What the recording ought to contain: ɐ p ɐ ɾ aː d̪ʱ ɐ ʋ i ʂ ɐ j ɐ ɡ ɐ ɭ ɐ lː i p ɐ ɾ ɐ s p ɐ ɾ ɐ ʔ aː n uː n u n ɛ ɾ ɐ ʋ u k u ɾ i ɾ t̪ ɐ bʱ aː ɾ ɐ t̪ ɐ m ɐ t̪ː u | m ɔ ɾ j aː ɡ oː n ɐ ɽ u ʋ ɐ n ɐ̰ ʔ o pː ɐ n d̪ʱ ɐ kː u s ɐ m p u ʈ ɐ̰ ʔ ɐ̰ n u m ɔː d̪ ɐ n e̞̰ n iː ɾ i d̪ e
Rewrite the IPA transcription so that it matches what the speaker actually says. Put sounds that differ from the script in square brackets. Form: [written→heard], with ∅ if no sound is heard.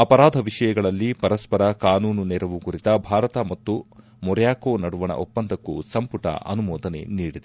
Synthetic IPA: ɐ p ɐ ɾ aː d̪ʱ ɐ ʋ i ʂ ɐ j ɐ ɡ ɐ ɭ ɐ lː i p ɐ ɾ ɐ s p ɐ ɾ ɐ [ʔ→k] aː n uː n u n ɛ ɾ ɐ ʋ u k u ɾ i [ɾ→∅] t̪ ɐ bʱ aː ɾ ɐ t̪ ɐ m ɐ t̪ː u | m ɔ ɾ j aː [ɡ→k] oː n ɐ ɽ u ʋ ɐ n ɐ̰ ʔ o pː ɐ n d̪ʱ ɐ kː u s ɐ m p u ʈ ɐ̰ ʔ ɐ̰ n u m ɔː d̪ ɐ n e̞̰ n iː [ɾ→ɽ] i d̪ e

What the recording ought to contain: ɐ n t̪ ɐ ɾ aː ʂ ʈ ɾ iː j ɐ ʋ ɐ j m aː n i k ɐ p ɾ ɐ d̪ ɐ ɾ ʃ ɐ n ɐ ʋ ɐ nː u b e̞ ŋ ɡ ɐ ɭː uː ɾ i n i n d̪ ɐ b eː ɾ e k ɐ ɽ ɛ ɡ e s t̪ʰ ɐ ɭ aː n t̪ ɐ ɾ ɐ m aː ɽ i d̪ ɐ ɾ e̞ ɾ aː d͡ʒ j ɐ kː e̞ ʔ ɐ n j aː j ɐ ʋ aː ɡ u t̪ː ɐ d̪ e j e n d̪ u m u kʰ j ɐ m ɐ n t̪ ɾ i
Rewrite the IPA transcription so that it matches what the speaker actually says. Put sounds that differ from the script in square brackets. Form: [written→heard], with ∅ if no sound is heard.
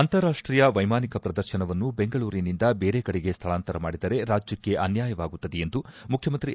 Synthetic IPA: ɐ n t̪ ɐ ɾ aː ʂ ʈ ɾ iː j ɐ ʋ ɐ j m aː n i k ɐ p ɾ ɐ d̪ ɐ ɾ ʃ ɐ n ɐ ʋ ɐ nː u b e̞ ŋ ɡ ɐ [ɭː→ɭ] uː ɾ i n i n d̪ ɐ b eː ɾ e k ɐ ɽ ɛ ɡ e s t̪ʰ ɐ ɭ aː n t̪ ɐ ɾ ɐ m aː ɽ i d̪ ɐ ɾ e̞ ɾ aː d͡ʒ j ɐ kː e̞ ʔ ɐ n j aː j ɐ ʋ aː ɡ u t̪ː ɐ d̪ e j e n d̪ u m u kʰ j ɐ m ɐ n t̪ ɾ i

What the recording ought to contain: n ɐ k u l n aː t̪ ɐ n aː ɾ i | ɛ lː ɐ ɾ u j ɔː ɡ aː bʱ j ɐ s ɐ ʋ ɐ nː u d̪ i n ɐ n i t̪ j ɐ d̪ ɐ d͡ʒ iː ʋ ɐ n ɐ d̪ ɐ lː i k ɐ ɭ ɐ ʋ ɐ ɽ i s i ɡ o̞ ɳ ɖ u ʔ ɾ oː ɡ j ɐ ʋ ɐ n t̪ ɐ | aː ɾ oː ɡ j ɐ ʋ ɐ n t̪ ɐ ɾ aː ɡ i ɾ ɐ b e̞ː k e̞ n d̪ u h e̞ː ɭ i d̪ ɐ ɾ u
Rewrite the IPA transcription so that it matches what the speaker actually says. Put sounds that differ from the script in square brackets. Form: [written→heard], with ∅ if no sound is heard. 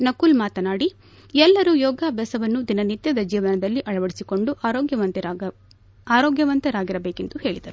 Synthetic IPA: n ɐ k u l [n→m] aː t̪ ɐ n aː [ɾ→ɽ] i | ɛ lː ɐ ɾ u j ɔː ɡ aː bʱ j ɐ s ɐ ʋ ɐ nː u d̪ i n ɐ n i t̪ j ɐ d̪ ɐ d͡ʒ iː ʋ ɐ n ɐ d̪ ɐ lː i [k→ʔ] ɐ ɭ ɐ ʋ ɐ ɽ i s i [ɡ→k] o̞ ɳ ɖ u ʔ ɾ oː ɡ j ɐ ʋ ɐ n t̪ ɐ | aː ɾ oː ɡ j ɐ ʋ ɐ n t̪ ɐ ɾ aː ɡ i ɾ ɐ b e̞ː k e̞ n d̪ u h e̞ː ɭ i d̪ ɐ ɾ u

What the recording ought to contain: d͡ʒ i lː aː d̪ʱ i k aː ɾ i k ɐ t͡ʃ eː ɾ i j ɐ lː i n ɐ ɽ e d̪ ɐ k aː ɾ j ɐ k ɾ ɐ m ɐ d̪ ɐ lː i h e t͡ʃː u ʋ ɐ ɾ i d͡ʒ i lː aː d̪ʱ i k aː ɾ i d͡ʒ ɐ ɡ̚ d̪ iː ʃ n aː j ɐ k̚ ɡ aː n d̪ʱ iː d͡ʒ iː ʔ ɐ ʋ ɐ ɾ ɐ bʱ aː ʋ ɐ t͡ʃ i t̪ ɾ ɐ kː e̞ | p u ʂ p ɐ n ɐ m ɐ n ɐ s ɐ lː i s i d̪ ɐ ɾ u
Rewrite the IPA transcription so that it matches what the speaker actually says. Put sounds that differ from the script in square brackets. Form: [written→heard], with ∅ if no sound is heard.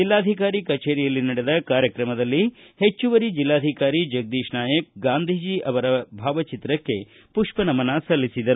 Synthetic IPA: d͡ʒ i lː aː d̪ʱ i k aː ɾ i k ɐ t͡ʃ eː ɾ i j ɐ lː i n ɐ ɽ e d̪ ɐ k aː ɾ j ɐ k ɾ ɐ m ɐ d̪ ɐ lː i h e t͡ʃː u ʋ ɐ ɾ i d͡ʒ i lː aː d̪ʱ i k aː ɾ i d͡ʒ ɐ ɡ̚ d̪ iː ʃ n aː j ɐ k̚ ɡ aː n d̪ʱ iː d͡ʒ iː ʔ ɐ ʋ ɐ ɾ ɐ bʱ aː ʋ ɐ t͡ʃ i t̪ ɾ ɐ kː e̞ | p u ʂ p ɐ n ɐ m ɐ n ɐ s ɐ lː i s i d̪ ɐ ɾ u

